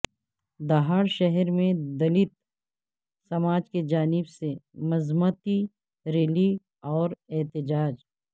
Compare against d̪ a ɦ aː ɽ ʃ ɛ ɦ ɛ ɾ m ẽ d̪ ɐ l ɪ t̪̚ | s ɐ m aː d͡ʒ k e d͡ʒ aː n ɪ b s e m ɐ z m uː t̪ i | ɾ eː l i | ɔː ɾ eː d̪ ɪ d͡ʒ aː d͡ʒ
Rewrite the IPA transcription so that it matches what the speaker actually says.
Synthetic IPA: d̪ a ɦ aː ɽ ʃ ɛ ɦ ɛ ɾ m ẽ d̪ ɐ l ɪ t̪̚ | s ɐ m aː d͡ʒ k e d͡ʒ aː n ɪ b s e m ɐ z m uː t̪ i | ɾ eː l i | ɔː ɾ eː t̪ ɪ d͡ʒ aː d͡ʒ